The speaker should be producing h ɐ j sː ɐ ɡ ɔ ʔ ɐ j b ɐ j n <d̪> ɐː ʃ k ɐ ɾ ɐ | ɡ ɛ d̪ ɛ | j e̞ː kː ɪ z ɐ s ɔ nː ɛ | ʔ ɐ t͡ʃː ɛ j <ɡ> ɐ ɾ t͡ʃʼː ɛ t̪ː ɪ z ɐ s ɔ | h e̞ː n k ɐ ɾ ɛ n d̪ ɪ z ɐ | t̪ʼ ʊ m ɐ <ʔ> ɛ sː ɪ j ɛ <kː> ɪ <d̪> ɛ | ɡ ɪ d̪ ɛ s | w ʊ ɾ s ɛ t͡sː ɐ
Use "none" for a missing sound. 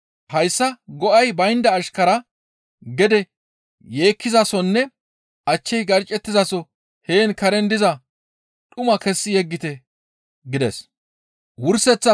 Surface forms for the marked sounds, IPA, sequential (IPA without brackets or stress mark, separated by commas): d̪, ɡ, k, ɡː, t̪